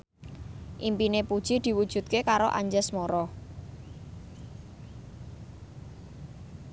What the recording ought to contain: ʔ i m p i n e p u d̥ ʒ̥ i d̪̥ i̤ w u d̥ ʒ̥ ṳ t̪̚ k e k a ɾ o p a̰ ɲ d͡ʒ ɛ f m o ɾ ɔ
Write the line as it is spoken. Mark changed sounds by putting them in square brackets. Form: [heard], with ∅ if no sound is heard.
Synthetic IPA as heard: ʔ i m p i n e p u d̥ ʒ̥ i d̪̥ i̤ w u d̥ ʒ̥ ṳ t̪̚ k e k a ɾ o [ʔ] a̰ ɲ d͡ʒ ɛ [s] m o ɾ ɔ